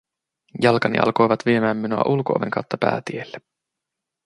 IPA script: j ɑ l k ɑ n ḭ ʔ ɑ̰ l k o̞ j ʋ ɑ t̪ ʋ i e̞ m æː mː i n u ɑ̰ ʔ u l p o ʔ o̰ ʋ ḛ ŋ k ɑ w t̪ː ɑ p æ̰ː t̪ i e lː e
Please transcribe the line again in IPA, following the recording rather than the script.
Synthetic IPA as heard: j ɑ l k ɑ n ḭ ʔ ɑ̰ l k o̞ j ʋ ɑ t̪ ʋ i e̞ m æː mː i n u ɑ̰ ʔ u l k o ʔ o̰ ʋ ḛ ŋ k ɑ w t̪ː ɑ p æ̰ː t̪ i e lː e